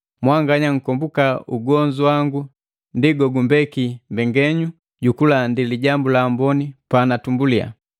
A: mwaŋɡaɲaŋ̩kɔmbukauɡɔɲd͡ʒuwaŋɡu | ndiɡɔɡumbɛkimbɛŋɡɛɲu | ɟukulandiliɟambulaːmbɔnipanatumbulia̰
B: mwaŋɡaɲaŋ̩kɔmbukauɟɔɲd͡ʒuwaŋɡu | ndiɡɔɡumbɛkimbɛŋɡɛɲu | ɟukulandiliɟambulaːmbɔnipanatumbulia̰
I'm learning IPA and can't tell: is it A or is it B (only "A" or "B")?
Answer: A